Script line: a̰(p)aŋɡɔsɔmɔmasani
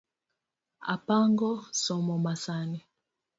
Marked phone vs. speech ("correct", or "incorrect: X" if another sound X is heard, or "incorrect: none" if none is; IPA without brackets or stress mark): correct